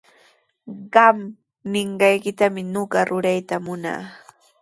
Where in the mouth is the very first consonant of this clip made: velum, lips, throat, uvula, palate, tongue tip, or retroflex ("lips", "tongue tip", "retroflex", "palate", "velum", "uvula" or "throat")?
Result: uvula